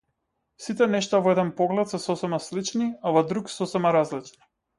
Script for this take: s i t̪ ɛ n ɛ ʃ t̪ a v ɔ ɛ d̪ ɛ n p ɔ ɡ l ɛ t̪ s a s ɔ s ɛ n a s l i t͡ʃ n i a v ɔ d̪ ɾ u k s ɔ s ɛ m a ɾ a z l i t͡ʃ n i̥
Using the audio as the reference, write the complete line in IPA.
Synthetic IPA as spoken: s i t̪ ɛ n ɛ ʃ t̪ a v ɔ ɛ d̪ ɛ n p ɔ ɡ l ɛ t̪ s ɛ s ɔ s ɛ m a s l i t͡ʃ n i a v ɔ d̪ ɾ u k s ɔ s ɛ m a ɾ a z l i t͡ʃ n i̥

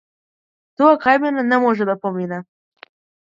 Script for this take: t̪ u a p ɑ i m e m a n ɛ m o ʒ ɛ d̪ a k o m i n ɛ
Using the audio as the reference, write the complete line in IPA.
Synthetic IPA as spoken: t̪ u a k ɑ j m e n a n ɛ m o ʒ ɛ d̪ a p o m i n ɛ

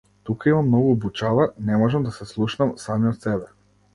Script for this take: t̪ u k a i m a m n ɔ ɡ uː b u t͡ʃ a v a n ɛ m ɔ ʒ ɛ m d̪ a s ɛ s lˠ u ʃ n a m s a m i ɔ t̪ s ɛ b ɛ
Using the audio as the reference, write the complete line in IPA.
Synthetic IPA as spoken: t̪ u k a i m a m n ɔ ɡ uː b u t͡ʃ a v a n ɛ m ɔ ʒ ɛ m d̪ a s ɛ s lˠ u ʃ n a m s a m i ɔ t̪ s ɛ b ɛ

